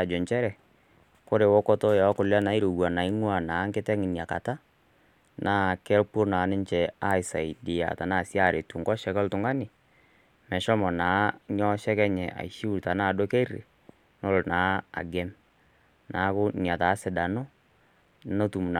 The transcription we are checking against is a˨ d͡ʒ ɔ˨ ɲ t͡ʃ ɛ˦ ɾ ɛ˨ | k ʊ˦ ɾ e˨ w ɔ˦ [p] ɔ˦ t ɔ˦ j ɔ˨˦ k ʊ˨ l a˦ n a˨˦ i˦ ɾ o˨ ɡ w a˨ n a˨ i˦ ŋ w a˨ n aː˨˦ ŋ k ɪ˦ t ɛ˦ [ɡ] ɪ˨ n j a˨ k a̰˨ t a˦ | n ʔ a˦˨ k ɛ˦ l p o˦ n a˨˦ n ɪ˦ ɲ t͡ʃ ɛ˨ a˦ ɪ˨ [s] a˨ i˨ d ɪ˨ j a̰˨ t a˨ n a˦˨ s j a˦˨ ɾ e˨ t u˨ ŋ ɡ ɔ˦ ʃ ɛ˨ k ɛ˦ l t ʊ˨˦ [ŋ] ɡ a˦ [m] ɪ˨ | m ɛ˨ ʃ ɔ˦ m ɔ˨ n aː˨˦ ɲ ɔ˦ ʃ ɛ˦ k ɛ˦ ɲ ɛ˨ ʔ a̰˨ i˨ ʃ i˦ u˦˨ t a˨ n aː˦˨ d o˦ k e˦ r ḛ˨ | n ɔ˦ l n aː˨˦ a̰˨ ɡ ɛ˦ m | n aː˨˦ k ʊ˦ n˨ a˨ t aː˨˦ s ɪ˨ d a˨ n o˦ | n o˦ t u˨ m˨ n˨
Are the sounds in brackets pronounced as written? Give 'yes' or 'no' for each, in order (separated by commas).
no, no, yes, yes, no